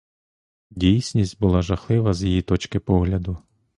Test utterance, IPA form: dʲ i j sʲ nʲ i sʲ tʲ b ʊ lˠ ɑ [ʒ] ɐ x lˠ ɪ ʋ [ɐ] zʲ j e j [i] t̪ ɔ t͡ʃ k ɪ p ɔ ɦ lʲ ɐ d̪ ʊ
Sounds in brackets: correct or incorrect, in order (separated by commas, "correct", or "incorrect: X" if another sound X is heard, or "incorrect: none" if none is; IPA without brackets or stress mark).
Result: correct, correct, correct